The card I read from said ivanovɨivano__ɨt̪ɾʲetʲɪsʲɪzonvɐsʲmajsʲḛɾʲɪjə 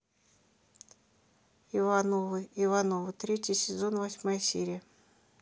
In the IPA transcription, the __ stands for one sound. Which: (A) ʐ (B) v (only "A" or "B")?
B